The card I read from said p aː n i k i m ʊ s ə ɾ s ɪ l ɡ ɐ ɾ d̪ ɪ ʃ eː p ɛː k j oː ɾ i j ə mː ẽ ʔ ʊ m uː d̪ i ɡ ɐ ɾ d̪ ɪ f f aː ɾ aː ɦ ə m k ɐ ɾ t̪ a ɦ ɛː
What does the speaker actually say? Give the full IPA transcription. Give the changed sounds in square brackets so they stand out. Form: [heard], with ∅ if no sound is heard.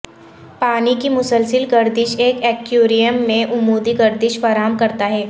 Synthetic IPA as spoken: p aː n i k i m ʊ s ə [l] s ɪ l ɡ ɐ ɾ d̪ ɪ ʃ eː [k] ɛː k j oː ɾ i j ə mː ẽ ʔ ʊ m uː d̪ i ɡ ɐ ɾ d̪ ɪ [ʃ] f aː ɾ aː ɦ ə m k ɐ ɾ t̪ a ɦ ɛː